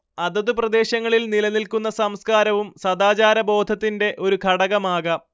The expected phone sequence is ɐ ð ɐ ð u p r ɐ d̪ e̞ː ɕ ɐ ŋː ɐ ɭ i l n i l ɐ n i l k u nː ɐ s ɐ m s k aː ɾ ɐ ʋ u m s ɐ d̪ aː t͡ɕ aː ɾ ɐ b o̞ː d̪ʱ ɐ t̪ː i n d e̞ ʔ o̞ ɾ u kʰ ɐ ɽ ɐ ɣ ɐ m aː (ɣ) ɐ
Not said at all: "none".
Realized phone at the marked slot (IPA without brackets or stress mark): ɣ